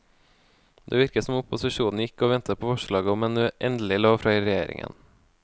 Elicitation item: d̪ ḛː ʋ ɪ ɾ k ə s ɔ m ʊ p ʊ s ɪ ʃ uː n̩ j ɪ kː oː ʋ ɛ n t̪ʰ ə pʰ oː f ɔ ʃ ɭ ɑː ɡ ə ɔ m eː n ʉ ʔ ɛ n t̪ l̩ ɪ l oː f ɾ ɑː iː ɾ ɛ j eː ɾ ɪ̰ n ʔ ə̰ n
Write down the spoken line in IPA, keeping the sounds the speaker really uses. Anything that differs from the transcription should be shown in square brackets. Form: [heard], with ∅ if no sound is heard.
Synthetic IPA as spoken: d̪ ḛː ʋ ɪ ɾ k ə s ɔ m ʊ p ʊ s ɪ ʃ uː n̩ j ɪ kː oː ʋ ɛ n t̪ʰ ə pʰ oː f ɔ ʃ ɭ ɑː ɡ ə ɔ m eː n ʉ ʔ ɛ n [d̪] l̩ ɪ l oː f ɾ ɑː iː ɾ ɛ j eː ɾ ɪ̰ [ŋ] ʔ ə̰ n